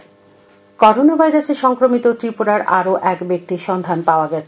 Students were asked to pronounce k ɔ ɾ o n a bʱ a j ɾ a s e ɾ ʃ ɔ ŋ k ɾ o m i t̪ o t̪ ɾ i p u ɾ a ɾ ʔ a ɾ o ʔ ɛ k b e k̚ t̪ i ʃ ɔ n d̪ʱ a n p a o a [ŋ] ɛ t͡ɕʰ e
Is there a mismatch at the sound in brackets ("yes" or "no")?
yes